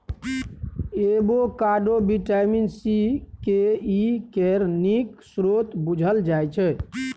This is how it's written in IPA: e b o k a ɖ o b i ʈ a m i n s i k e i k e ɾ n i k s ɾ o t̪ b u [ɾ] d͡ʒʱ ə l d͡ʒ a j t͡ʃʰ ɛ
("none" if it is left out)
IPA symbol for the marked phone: none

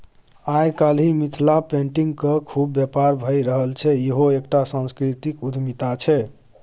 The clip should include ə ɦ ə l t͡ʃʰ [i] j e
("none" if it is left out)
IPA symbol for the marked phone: ɛ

